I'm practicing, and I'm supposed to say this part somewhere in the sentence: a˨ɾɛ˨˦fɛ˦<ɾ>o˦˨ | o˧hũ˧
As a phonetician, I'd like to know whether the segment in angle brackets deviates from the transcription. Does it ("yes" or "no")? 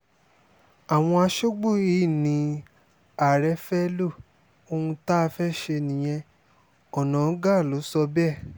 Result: yes